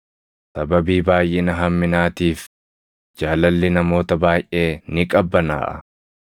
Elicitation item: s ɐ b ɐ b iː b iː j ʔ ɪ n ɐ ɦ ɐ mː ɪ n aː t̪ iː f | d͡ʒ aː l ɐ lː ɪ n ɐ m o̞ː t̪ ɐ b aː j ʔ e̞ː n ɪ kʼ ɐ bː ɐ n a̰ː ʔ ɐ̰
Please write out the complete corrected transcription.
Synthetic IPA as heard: s ɐ b ɐ b iː b aː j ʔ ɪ n ɐ ɦ ɐ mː ɪ n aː t̪ iː f | d͡ʒ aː l ɐ lː ɪ n ɐ m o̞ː t̪ ɐ b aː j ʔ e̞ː n ɪ kʼ ɐ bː ɐ n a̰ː ʔ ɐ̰